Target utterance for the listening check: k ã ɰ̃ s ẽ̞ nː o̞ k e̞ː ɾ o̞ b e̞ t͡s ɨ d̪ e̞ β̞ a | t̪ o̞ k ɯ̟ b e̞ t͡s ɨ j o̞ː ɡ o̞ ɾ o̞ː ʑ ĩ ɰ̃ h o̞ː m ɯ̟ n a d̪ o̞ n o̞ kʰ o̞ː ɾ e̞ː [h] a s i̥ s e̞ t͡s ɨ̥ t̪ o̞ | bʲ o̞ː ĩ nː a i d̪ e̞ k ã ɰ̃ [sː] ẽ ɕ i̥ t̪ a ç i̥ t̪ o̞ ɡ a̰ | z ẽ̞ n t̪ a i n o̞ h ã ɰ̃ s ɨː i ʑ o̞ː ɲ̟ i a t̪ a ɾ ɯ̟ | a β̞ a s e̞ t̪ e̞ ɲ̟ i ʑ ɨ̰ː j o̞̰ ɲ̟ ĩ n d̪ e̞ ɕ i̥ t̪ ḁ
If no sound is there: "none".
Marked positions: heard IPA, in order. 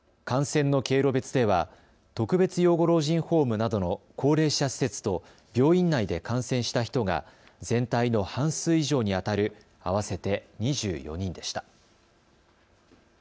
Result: ɕ, s

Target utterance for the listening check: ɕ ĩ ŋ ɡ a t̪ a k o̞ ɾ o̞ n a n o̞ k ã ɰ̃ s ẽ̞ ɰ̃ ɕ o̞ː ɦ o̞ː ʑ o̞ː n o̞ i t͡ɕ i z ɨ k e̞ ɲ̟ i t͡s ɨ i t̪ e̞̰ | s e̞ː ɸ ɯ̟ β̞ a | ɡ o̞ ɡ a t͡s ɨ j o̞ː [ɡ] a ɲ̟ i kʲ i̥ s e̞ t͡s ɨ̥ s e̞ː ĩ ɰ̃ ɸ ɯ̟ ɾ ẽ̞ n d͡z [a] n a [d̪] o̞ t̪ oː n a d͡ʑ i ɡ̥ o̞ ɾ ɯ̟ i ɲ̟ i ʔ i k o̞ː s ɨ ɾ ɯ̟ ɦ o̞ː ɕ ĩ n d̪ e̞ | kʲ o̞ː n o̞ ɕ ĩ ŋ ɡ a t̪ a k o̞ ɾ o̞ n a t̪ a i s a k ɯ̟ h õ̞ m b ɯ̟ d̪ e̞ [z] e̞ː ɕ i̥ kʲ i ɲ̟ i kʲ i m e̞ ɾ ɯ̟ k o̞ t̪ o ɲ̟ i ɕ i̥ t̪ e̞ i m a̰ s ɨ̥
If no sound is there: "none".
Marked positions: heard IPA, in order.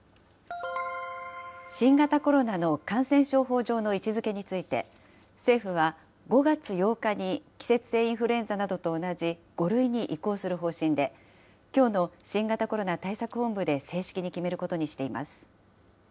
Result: k, a, d̪, s

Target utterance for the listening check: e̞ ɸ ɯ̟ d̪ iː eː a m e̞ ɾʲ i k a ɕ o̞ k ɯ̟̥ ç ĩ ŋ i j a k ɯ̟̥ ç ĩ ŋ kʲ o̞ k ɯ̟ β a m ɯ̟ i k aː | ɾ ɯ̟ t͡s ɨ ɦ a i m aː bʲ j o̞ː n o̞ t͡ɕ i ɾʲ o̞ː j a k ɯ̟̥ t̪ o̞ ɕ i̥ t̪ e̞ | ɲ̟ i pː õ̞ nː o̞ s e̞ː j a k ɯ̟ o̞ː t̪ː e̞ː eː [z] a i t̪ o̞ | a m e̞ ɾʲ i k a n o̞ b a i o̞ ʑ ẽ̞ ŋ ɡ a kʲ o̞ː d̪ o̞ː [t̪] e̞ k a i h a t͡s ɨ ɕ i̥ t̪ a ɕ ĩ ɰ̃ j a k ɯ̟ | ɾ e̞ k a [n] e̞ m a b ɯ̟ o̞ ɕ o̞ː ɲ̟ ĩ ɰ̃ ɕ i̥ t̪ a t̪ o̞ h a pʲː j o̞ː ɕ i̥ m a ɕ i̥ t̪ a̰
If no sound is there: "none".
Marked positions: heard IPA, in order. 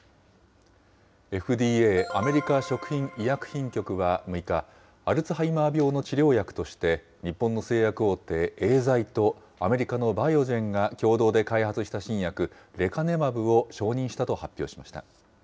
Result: z, d̪, n

